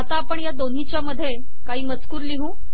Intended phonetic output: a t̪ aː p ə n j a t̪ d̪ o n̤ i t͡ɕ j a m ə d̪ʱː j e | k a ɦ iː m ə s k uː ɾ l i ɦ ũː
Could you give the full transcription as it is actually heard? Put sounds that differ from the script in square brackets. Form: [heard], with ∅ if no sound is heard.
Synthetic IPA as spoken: a t̪ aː p ə [ɳ] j a [∅] d̪ o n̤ i t͡ɕ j a m ə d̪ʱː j e | k a ɦ iː m ə [t͡s] k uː ɾ l i ɦ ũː